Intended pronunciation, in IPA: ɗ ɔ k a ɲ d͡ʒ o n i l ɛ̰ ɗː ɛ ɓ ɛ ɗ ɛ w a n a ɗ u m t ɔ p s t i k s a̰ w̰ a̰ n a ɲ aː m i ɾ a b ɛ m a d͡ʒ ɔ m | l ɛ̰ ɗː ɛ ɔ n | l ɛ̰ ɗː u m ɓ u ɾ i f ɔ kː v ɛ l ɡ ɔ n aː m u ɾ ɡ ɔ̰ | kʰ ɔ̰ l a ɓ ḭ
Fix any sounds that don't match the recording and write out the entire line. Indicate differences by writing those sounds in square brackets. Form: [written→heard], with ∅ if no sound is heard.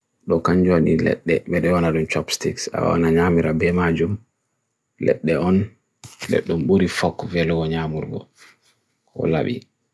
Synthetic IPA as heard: ɗ ɔ k a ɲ d͡ʒ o n i l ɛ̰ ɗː ɛ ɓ ɛ ɗ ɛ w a n a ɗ u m [t→t͡ʃ] ɔ p s t i k s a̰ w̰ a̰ n a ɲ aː m i ɾ a b ɛ m a d͡ʒ [ɔ→u] m | l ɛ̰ ɗː ɛ ɔ n | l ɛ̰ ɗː u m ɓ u ɾ i f ɔ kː v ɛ l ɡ ɔ [n→ɲ] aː m u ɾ ɡ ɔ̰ | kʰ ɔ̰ l a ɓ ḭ